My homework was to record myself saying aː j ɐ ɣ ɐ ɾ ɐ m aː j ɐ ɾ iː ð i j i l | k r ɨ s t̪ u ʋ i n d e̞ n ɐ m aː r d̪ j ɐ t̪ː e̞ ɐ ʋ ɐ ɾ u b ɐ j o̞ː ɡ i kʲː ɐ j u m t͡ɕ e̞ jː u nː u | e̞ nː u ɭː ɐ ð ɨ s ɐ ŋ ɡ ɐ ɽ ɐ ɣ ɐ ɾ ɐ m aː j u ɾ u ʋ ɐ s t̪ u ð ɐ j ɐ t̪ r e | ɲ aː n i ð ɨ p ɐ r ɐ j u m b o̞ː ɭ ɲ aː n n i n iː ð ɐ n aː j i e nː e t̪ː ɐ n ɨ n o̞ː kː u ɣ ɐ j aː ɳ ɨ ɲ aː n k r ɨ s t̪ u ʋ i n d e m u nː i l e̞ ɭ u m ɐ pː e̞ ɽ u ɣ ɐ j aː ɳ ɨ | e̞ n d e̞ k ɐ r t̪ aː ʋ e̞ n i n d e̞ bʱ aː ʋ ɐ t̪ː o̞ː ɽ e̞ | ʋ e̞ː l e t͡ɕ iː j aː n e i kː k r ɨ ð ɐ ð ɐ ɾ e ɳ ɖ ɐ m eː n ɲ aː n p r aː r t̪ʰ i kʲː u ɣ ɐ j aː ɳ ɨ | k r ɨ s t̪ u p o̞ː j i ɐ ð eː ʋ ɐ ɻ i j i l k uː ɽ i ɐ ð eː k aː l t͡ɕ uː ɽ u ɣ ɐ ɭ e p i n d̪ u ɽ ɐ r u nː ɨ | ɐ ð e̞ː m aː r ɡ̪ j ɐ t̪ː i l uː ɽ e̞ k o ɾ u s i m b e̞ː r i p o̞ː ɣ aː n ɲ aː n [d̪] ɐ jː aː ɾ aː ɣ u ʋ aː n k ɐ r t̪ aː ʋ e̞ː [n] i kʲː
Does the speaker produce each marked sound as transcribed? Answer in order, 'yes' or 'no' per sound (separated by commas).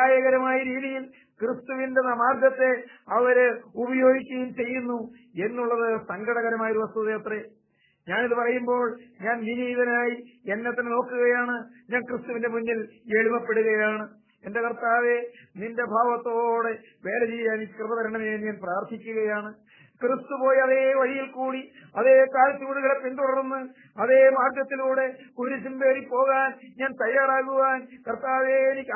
no, yes